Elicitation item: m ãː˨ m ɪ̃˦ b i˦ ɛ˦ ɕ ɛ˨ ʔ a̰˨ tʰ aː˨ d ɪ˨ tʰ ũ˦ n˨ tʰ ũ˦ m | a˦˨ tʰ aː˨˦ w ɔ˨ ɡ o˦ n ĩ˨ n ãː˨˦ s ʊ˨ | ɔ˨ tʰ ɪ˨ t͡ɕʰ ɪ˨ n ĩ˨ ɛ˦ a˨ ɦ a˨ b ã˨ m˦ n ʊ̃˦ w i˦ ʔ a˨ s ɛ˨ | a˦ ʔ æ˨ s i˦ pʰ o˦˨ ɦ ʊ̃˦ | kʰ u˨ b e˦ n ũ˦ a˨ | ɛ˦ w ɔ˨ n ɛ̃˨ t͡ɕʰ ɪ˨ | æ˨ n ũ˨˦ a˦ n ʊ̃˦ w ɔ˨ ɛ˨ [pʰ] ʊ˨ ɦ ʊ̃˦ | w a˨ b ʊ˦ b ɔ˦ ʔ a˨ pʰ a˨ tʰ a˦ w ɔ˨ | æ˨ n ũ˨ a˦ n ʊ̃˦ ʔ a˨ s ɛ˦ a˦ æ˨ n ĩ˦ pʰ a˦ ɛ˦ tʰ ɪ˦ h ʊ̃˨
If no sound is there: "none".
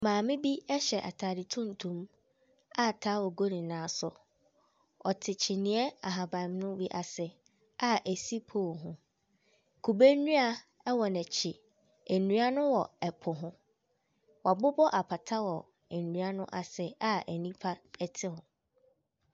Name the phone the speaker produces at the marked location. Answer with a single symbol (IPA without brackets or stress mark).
pʰ